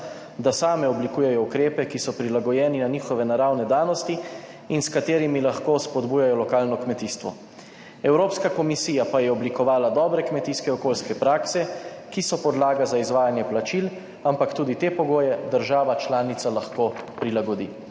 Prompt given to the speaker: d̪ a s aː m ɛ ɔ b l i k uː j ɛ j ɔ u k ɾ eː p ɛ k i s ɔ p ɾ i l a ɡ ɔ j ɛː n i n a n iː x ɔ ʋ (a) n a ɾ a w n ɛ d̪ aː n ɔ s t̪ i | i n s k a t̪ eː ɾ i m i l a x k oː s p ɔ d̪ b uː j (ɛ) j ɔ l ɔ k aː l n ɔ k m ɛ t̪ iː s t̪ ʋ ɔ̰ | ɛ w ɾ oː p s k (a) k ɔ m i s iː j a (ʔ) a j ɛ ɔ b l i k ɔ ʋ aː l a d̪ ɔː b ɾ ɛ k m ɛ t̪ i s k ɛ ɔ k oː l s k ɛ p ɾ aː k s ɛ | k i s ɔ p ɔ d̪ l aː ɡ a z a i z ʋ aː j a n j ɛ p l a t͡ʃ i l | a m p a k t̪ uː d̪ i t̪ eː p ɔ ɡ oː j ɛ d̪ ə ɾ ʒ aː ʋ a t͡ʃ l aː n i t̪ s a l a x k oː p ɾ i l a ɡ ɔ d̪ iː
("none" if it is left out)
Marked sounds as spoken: ɛ, a, a, p

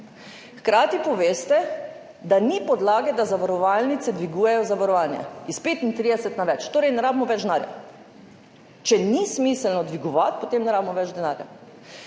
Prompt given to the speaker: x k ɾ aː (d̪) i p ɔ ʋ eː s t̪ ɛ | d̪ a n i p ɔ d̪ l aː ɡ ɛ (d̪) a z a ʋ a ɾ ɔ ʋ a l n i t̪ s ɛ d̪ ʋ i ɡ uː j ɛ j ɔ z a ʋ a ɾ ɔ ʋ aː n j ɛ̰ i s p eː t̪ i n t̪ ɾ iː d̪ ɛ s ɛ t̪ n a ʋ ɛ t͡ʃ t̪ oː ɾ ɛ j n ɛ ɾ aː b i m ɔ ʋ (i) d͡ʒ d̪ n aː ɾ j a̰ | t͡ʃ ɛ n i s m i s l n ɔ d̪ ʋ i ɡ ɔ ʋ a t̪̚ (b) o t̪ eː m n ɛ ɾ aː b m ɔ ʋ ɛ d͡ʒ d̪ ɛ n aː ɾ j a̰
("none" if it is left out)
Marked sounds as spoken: t̪, d̪, ɛ, p

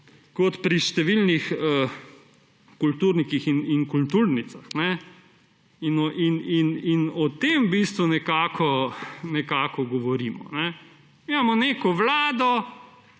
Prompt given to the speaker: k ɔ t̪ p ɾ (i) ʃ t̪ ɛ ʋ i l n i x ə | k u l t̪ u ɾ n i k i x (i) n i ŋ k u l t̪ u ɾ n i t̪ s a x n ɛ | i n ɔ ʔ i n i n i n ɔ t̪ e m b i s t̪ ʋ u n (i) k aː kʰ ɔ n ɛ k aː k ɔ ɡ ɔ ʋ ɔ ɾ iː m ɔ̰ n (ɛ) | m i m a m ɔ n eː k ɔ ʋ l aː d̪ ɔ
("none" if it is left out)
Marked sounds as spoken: i, i, ɛ, ɛ

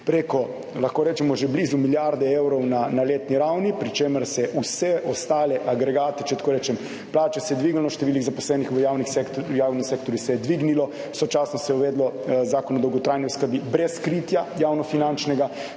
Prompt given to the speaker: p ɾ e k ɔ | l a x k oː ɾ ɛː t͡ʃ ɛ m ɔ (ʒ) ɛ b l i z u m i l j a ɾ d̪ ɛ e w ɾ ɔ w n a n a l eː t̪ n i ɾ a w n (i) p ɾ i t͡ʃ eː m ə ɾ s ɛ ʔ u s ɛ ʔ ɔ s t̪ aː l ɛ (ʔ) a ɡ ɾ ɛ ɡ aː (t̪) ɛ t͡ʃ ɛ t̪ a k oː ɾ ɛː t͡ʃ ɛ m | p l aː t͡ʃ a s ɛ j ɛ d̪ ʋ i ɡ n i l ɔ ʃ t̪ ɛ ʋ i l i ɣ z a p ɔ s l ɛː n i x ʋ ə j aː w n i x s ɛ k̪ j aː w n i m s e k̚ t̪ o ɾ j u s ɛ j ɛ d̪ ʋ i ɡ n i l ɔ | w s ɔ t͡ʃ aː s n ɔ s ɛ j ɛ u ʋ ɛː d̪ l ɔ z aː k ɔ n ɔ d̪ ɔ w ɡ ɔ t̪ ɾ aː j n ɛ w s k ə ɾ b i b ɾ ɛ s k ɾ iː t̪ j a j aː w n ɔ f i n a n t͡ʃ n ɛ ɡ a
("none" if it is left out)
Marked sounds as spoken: ʒ, i, ʔ, t̪

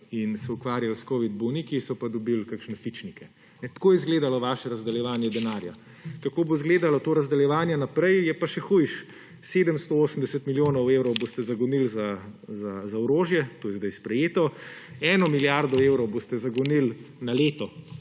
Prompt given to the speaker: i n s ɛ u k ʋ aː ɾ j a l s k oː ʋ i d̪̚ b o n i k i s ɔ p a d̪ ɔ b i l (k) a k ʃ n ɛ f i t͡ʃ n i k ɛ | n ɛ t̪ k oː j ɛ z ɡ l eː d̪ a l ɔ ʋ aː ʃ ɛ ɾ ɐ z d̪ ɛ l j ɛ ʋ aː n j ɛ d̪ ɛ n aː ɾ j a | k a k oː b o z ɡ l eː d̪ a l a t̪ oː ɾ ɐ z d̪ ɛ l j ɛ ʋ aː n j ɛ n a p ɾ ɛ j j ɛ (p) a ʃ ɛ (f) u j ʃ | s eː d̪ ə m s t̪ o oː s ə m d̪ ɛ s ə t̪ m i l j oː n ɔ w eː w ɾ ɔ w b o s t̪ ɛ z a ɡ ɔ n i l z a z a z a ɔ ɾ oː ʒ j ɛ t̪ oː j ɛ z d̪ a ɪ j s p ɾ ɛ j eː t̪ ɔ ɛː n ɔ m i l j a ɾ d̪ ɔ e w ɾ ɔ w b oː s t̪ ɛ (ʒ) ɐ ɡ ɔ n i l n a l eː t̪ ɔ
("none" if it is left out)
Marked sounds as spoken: k, p, x, z

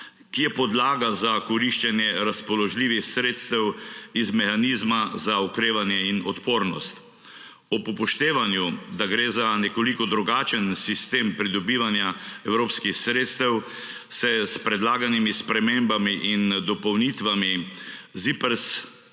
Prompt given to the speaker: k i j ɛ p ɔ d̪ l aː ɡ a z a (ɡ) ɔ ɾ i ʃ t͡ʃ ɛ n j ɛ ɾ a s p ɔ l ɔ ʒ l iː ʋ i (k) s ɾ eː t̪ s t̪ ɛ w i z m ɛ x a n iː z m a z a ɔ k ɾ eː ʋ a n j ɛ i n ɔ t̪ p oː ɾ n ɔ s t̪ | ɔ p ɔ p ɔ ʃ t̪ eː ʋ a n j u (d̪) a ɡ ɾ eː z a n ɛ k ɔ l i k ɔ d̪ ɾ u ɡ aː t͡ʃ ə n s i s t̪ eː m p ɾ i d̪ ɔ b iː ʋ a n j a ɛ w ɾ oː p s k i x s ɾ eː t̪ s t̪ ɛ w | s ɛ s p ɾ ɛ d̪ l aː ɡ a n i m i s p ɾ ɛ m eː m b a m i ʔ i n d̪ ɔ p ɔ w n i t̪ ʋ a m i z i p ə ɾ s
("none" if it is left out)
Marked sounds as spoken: k, x, d̪

